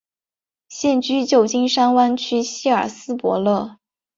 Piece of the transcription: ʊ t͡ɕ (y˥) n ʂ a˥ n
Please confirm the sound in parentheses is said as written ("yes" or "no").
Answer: no